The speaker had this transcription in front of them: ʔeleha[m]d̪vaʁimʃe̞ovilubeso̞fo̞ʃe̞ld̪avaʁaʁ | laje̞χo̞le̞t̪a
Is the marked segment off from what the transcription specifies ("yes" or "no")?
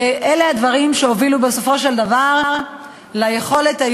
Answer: yes